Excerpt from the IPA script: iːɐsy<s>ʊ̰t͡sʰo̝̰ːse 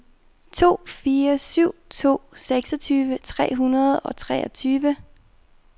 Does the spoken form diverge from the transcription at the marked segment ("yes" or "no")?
yes